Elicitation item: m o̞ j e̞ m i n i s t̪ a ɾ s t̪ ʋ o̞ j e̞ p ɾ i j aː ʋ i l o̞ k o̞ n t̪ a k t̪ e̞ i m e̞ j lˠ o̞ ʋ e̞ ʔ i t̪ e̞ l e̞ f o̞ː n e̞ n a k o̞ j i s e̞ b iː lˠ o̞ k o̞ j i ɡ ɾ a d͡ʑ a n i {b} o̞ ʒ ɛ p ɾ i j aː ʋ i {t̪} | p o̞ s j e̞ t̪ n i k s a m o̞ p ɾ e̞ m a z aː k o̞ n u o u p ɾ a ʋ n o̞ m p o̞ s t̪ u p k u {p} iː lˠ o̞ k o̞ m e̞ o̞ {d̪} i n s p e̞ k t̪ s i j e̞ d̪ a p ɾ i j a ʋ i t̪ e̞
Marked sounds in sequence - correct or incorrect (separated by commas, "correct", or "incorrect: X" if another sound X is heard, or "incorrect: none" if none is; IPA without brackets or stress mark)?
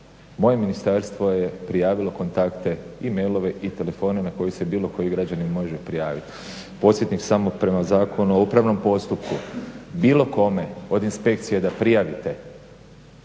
incorrect: m, correct, incorrect: b, correct